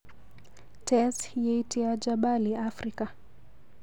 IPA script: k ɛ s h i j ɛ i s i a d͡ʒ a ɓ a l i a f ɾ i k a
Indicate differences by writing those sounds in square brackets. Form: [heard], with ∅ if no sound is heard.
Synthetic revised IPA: [t] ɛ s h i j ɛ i [t] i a d͡ʒ a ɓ a l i a f ɾ i k a